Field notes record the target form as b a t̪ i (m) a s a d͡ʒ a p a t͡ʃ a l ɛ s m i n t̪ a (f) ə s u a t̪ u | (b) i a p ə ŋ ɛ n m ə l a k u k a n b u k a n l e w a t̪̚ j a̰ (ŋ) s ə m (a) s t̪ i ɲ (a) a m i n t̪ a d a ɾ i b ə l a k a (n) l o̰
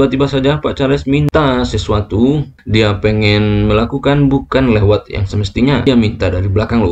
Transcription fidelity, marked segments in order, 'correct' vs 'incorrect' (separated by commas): incorrect, incorrect, incorrect, correct, incorrect, correct, incorrect